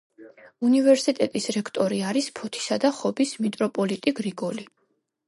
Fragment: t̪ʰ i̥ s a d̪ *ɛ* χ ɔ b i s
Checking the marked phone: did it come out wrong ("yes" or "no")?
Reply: yes